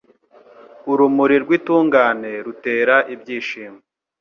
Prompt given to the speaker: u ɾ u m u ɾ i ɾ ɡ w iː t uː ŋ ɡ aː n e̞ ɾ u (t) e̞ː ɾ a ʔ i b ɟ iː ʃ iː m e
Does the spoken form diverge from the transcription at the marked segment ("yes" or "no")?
no